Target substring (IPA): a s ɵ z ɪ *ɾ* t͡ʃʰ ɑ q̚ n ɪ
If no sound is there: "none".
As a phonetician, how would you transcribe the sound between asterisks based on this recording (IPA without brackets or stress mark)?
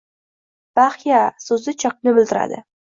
none